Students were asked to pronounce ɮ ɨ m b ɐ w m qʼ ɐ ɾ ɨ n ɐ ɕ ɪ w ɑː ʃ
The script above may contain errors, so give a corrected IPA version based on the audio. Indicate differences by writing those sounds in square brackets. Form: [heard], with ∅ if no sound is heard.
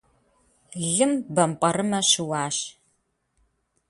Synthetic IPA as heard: ɮ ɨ m b ɐ [∅] m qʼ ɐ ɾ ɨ [m] ɐ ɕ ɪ w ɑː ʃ